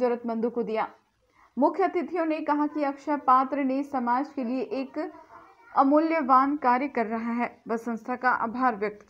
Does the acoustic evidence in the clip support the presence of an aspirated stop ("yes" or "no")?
yes